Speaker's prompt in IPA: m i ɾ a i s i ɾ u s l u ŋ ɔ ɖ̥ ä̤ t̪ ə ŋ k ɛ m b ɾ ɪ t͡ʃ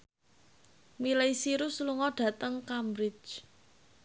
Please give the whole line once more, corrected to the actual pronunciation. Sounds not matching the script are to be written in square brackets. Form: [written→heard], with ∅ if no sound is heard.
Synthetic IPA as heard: m i [ɾ→l] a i s i ɾ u s l u ŋ ɔ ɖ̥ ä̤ t̪ ə ŋ k [ɛ→a] m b ɾ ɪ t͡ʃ